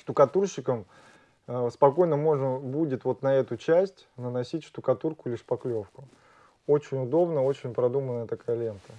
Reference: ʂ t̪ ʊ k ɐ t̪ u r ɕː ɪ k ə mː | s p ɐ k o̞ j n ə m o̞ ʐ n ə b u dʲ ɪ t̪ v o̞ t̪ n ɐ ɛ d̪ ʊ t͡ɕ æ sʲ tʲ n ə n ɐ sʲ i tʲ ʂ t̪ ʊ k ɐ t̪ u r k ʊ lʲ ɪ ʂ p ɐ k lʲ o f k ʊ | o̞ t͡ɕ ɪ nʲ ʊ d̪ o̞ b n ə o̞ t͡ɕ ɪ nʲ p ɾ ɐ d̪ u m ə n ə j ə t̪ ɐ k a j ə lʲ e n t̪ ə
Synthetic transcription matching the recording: ʂ t̪ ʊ k ɐ t̪ u r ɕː ɪ k ə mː | s p ɐ k o̞ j n ə m o̞ ʐ n ə b u dʲ ɪ t̪ v o̞ t̪ n ɐ ɛ t̪ ʊ t͡ɕ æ sʲ tʲ n ə n ɐ sʲ i tʲ ʂ t̪ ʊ k ɐ t̪ u r k ʊ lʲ ɪ ʂ p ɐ k lʲ o f k ʊ | o̞ t͡ɕ ɪ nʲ ʊ d̪ o̞ b n ə o̞ t͡ɕ ɪ nʲ p ɾ ɐ d̪ u m ə n ə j ə t̪ ɐ k a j ə lʲ e n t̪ ə